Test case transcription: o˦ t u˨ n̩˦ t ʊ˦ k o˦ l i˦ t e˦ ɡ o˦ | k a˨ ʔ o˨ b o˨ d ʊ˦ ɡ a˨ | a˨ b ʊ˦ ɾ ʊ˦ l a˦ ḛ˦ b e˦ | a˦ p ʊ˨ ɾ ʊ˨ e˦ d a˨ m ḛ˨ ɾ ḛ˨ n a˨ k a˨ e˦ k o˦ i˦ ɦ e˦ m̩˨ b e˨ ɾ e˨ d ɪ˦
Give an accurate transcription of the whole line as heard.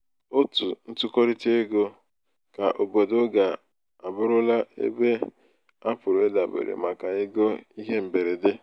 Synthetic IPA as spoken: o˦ t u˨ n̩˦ t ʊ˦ k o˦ ɾ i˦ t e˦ ɡ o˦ | k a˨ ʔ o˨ b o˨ d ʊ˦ ɡ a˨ | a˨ b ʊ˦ ɾ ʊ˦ l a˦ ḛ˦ b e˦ | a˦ p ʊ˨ ɾ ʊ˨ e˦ d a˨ b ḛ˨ ɾ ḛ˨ m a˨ k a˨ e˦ ɡ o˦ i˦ ɦ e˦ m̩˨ b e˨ ɾ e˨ d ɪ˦